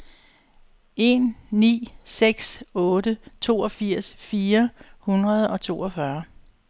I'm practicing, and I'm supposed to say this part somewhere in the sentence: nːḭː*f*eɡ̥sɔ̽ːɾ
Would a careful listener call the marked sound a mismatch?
yes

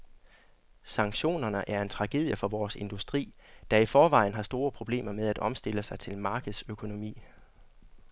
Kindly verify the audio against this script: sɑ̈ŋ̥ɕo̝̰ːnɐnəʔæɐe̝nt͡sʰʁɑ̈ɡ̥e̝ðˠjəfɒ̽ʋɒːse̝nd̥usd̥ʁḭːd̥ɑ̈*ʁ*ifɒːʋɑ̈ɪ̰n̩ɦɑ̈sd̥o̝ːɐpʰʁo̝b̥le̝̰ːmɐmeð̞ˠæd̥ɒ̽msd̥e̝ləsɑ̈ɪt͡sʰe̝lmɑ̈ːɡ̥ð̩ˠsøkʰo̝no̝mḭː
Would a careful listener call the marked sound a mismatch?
yes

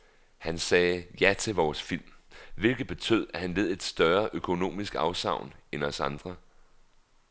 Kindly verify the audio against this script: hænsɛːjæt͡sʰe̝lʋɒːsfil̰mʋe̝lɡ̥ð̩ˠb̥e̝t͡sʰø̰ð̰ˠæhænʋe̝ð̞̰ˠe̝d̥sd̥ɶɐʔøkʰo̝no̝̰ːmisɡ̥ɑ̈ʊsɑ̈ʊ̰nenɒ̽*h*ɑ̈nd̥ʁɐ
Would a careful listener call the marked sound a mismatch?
yes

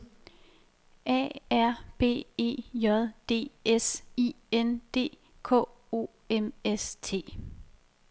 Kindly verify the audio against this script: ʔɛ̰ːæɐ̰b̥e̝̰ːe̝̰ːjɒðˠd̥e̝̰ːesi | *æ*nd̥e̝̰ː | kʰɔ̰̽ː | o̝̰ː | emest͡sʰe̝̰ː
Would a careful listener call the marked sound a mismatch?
yes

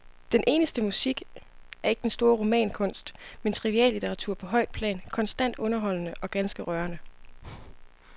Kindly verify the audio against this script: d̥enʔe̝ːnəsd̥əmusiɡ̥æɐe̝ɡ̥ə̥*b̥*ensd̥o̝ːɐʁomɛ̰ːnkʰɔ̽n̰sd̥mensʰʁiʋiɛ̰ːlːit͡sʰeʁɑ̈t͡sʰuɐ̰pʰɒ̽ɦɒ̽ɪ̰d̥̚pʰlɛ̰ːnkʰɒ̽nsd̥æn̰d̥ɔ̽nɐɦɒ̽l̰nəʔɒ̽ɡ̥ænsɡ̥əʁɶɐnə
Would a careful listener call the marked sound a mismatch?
yes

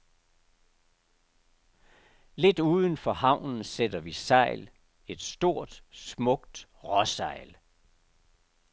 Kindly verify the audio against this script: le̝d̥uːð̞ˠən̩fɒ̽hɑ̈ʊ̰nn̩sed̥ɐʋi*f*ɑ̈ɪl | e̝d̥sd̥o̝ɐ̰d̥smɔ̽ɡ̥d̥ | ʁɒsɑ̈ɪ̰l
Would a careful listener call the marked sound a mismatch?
yes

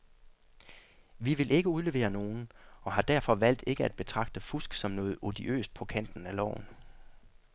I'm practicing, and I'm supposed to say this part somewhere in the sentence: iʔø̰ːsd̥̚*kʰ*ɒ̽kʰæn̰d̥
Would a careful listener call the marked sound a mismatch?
yes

